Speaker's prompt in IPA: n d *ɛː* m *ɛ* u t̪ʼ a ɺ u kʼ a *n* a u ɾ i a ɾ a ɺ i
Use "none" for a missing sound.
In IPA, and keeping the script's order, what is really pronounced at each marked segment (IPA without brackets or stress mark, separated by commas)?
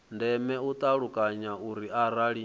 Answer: ɛ, ɛ, ɲ